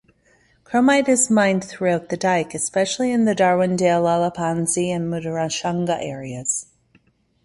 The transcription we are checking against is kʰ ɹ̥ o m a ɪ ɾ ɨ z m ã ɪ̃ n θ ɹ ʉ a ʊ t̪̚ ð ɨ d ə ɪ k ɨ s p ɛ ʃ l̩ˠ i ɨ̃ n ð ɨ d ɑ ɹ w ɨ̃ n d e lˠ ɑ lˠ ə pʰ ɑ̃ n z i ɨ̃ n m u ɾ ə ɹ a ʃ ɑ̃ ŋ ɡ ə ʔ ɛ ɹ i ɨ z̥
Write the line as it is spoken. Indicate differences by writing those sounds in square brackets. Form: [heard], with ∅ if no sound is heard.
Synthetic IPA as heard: kʰ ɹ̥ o m a ɪ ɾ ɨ z m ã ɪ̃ n θ ɹ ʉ a ʊ t̪̚ ð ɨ d [a] ɪ k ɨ s p ɛ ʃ l̩ˠ i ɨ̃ n ð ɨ d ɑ ɹ w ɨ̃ n d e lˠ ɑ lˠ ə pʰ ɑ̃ n z i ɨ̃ n m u ɾ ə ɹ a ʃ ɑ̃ ŋ ɡ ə ʔ ɛ ɹ i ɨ z̥